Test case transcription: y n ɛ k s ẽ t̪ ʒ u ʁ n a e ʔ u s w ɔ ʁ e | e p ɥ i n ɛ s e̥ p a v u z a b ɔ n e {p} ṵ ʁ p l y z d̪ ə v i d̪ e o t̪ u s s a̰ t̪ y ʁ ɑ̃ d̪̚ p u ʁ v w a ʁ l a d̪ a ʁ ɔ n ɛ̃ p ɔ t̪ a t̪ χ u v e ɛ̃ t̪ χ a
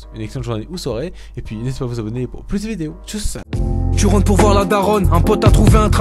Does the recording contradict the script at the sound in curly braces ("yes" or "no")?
no